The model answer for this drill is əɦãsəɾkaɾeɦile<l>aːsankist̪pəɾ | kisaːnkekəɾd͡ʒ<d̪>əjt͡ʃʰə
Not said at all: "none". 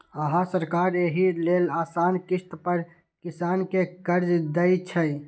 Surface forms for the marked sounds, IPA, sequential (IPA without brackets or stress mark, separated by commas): l, d̪